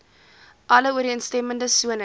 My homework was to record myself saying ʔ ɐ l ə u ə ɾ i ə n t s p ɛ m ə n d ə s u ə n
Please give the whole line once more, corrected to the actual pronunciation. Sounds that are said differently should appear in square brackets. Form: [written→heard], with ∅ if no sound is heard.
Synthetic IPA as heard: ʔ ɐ l ə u ə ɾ i ə n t s [p→t] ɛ m ə n d ə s u ə n